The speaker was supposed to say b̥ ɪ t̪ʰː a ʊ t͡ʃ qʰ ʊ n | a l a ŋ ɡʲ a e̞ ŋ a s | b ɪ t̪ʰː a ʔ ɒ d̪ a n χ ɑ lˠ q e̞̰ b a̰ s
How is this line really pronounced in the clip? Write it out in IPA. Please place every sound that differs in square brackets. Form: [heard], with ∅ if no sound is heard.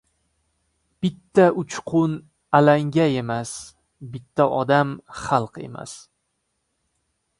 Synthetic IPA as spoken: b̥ ɪ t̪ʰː a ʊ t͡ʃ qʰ ʊ n | a l a ŋ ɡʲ a e̞ [m] a s | b ɪ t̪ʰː a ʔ ɒ d̪ a [m] χ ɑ lˠ q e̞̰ [m] a̰ s